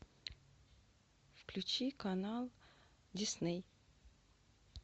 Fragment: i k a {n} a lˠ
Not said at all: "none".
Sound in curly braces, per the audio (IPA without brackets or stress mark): n